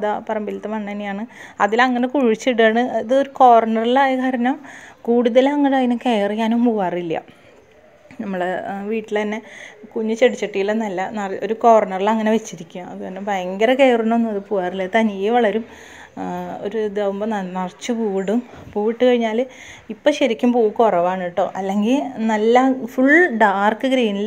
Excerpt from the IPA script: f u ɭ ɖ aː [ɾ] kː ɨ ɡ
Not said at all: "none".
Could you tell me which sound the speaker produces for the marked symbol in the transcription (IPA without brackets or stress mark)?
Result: r